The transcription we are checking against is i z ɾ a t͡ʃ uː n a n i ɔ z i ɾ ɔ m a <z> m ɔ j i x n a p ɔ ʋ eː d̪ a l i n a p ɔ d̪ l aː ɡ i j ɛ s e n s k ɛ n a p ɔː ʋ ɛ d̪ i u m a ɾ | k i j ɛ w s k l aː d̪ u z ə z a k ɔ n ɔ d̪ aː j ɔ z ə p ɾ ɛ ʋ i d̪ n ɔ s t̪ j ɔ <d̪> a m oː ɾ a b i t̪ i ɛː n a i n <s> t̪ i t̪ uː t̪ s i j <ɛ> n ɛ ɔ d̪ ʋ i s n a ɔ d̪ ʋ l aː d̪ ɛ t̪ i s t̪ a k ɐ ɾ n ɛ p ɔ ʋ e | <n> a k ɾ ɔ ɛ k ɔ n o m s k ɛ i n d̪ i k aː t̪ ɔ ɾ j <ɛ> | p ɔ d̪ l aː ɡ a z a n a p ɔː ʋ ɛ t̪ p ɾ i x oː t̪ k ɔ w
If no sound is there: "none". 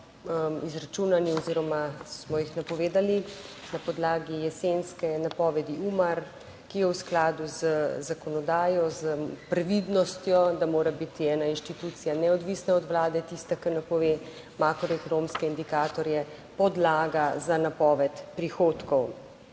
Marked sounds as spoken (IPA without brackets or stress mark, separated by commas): s, d̪, ʃ, a, m, ɛ